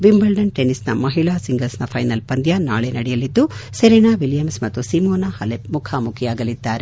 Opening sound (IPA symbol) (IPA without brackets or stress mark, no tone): ʋ